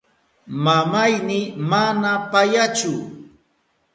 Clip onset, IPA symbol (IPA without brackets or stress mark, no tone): m